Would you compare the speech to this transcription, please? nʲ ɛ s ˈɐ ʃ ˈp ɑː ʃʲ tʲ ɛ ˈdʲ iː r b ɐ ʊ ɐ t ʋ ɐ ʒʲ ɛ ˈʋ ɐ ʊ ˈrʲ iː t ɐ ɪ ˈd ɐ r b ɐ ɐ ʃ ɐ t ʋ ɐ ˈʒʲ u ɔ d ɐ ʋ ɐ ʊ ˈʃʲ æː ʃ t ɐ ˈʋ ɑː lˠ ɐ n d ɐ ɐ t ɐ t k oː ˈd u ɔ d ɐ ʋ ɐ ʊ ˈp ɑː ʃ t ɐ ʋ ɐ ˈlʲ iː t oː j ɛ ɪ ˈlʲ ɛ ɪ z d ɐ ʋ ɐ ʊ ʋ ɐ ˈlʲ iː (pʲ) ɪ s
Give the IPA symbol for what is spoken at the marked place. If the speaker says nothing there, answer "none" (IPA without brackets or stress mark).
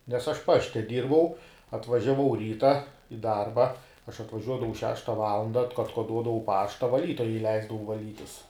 tʲ